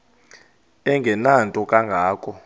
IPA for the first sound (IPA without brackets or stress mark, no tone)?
ɛ